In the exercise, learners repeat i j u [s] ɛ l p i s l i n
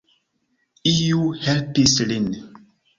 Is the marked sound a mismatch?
yes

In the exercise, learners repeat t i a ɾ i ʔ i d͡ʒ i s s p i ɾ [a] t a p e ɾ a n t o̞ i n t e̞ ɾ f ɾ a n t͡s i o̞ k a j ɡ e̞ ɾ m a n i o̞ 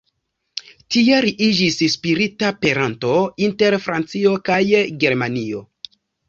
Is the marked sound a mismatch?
yes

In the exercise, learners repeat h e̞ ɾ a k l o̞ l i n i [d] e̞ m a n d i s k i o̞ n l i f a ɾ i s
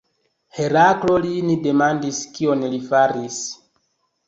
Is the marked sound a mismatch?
no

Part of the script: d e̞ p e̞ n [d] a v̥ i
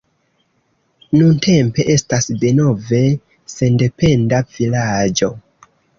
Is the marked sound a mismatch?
no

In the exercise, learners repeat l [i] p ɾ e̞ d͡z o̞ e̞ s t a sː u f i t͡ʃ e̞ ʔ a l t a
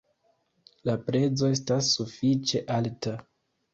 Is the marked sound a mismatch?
yes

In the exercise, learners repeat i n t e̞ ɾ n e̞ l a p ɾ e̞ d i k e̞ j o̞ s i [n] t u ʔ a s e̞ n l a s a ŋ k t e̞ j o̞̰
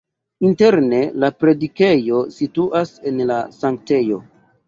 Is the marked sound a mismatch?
yes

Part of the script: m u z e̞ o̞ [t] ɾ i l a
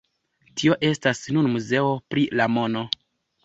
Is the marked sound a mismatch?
yes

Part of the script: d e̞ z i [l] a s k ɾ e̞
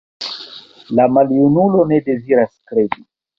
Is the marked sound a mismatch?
yes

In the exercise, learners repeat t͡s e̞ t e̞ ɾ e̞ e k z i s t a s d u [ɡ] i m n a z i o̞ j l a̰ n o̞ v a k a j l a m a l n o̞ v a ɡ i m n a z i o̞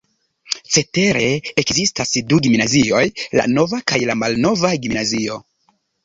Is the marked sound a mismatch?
no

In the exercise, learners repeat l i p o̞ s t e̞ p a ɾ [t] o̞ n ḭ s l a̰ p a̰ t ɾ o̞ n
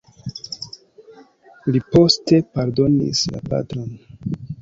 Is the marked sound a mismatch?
yes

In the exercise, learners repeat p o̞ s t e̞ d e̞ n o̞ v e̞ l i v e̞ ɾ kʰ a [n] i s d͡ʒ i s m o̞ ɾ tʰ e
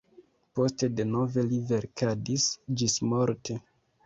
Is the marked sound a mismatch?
yes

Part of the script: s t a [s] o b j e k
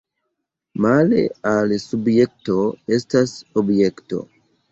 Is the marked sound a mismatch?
no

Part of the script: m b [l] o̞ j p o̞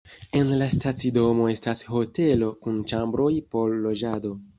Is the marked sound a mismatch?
yes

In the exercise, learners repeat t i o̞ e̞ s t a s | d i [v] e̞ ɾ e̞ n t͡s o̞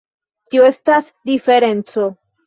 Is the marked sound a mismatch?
yes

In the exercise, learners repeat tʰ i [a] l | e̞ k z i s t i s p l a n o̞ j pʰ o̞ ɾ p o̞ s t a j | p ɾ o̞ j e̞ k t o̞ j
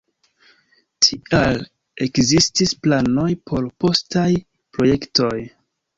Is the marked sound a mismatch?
no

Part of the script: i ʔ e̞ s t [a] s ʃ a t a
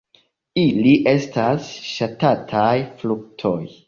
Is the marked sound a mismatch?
no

